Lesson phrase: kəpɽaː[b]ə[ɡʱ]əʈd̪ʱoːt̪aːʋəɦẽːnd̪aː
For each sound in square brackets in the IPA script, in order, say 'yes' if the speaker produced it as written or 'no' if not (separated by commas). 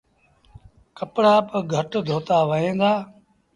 no, yes